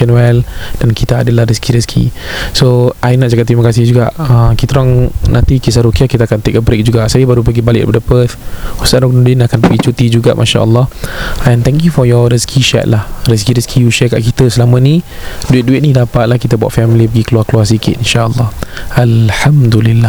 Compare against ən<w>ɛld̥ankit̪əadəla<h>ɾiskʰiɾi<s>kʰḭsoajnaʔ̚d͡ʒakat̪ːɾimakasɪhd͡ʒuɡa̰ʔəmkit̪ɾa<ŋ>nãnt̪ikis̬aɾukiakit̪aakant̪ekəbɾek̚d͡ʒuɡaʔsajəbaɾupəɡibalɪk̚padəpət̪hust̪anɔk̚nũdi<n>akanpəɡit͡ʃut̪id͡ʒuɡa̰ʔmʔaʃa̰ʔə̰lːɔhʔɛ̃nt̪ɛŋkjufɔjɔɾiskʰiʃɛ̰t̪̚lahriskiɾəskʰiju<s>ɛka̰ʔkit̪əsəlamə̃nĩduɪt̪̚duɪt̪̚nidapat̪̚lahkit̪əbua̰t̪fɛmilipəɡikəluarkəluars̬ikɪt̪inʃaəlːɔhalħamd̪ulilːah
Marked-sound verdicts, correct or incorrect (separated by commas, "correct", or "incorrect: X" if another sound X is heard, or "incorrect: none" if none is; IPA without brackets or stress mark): correct, correct, correct, correct, correct, incorrect: ʃ